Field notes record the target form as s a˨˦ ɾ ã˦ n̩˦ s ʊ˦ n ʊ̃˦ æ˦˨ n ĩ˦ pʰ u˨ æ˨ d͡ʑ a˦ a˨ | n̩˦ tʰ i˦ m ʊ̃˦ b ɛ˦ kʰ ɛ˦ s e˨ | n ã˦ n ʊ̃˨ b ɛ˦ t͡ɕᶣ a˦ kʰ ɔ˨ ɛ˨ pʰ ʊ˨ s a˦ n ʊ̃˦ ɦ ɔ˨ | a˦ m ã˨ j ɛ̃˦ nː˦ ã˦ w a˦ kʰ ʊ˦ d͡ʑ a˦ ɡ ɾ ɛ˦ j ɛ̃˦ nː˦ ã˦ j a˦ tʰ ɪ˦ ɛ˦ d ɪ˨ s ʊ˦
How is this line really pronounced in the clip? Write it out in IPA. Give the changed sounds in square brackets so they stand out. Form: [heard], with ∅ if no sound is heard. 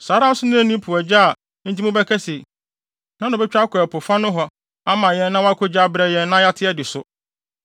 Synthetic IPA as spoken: s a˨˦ ɾ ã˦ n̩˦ s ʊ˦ n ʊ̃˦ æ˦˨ n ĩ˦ pʰ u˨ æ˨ d͡ʑ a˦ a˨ | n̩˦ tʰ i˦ m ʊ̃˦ b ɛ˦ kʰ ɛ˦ s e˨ | n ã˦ n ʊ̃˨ b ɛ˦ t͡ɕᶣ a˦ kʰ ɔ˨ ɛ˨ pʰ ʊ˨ [f] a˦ n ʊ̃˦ ɦ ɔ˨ | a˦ m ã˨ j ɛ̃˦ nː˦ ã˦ w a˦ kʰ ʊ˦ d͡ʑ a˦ [b] ɾ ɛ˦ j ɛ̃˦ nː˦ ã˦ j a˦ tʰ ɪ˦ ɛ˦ d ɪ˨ s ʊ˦